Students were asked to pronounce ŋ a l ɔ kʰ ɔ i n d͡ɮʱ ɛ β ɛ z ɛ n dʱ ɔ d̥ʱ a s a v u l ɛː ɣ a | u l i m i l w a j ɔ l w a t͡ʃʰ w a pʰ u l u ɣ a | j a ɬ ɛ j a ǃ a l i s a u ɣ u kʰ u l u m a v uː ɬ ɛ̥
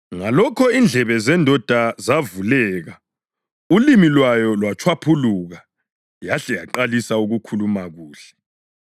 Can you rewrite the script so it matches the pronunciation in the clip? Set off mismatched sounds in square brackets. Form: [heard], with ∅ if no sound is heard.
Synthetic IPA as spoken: ŋ a l ɔ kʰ ɔ i n d͡ɮʱ ɛ β ɛ z ɛ n dʱ ɔ d̥ʱ a [z] a v u l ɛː ɣ a | u l i m i l w a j ɔ l w a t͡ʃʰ w a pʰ u l u ɣ a | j a ɬ ɛ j a ǃ a l i s a u ɣ u kʰ u l u m a [ɣ] uː ɬ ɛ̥

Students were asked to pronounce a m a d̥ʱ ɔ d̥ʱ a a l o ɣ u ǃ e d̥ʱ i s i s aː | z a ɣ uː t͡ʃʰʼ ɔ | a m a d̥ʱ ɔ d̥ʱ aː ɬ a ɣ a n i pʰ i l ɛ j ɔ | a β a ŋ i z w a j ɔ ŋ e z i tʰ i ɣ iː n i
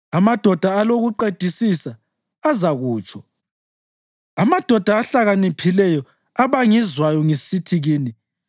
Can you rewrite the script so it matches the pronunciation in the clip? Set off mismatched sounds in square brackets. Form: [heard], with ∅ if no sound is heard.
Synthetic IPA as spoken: a m a d̥ʱ ɔ d̥ʱ a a l o ɣ u ǃ e d̥ʱ i s i s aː | z a ɣ uː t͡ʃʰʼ ɔ | a m a d̥ʱ ɔ d̥ʱ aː ɬ a ɣ a n i pʰ i l ɛ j ɔ | a β a ŋ i z w a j ɔ ŋ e [s] i tʰ i ɣ iː n i

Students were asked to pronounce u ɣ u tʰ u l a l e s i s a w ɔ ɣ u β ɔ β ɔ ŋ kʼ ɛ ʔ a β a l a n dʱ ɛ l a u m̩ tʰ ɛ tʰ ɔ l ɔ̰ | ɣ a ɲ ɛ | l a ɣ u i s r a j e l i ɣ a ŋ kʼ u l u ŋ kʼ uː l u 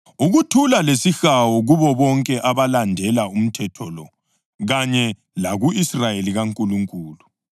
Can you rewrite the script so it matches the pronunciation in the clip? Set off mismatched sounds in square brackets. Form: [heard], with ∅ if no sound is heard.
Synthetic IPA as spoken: u ɣ u tʰ u l a l e s i [x] a w ɔ ɣ u β ɔ β ɔ ŋ kʼ ɛ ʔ a β a l a n dʱ ɛ l a u m̩ tʰ ɛ tʰ ɔ l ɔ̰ | ɣ a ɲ ɛ | l a ɣ u i s r a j e l i ɣ a ŋ kʼ u l u ŋ kʼ uː l u

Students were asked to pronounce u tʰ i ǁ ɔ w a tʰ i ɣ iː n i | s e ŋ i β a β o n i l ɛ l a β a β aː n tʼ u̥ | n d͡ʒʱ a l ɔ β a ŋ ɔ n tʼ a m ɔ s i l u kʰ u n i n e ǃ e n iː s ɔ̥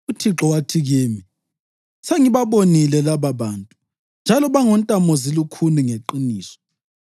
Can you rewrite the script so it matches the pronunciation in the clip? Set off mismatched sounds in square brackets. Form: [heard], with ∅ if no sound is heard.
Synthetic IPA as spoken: u tʰ i ǁ ɔ w a tʰ i ɣ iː [m] i | s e ŋ i β a β o n i l ɛ l a β a β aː n tʼ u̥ | n d͡ʒʱ a l ɔ β a ŋ ɔ n tʼ a m ɔ [z] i l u kʰ u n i [ŋ] e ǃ [i] n iː s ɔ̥

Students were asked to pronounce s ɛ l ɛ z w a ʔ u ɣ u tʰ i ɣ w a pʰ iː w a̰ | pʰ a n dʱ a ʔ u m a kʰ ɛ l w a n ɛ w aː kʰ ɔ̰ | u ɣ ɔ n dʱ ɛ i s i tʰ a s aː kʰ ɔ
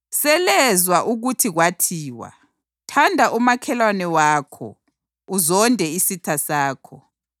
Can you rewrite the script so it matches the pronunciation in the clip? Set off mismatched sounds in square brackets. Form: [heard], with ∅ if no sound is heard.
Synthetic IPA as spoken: s ɛ l ɛ z w a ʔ u ɣ u tʰ i ɣ w a [tʰ] iː w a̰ | [tʰ] a n dʱ a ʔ u m a kʰ ɛ l w a n ɛ w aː kʰ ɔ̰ | u [z] ɔ n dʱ ɛ i s i tʰ a s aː kʰ ɔ

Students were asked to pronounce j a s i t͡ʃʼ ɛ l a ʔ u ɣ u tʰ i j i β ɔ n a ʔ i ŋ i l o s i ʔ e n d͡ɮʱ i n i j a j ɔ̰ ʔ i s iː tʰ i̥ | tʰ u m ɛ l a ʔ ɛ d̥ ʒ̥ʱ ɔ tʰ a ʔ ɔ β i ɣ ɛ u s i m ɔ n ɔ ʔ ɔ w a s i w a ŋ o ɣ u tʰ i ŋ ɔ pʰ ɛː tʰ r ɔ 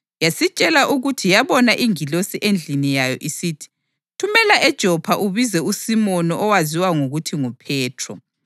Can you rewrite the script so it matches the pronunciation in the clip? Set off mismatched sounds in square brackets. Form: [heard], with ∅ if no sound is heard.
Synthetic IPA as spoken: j a s i t͡ʃʼ ɛ l a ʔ u ɣ u tʰ i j [a] β ɔ n a ʔ i ŋ i l o s i ʔ e n d͡ɮʱ i n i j a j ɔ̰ ʔ i s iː tʰ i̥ | tʰ u m ɛ l a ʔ ɛ d̥ ʒ̥ʱ ɔ [pʰ] a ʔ [u] β i [z] ɛ u s i m ɔ n ɔ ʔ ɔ w a [z] i w a ŋ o ɣ u tʰ i ŋ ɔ pʰ ɛː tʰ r ɔ

